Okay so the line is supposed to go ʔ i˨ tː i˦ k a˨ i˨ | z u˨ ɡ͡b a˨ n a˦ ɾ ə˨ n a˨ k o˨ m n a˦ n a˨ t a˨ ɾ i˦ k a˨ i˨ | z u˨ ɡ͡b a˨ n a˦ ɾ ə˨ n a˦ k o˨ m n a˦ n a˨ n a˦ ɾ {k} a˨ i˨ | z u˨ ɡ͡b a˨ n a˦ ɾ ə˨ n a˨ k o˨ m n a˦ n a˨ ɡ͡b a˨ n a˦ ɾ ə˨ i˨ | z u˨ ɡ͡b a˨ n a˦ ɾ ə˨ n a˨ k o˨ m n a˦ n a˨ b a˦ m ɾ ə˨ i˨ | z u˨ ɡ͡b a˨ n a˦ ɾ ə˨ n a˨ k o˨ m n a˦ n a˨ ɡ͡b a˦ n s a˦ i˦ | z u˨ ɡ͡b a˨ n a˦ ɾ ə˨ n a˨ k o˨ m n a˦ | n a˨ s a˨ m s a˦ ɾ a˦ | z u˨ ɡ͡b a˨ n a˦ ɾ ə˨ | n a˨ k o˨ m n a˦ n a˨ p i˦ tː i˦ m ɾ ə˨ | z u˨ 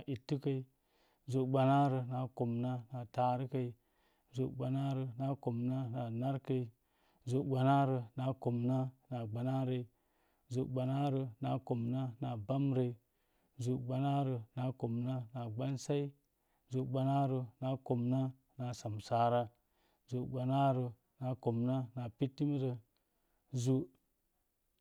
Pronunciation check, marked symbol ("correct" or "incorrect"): correct